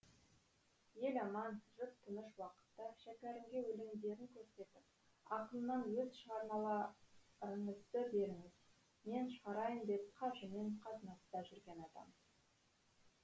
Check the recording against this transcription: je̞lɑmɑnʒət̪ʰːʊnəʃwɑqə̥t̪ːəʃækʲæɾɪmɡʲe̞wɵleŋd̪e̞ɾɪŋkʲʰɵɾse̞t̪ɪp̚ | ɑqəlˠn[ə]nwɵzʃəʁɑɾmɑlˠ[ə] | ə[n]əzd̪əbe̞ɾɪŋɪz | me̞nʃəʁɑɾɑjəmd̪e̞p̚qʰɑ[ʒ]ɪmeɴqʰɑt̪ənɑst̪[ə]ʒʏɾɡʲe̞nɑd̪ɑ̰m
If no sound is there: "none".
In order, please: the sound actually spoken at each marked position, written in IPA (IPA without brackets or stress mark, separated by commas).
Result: ɑ, ɑ, ɴ, ʒ, ɑ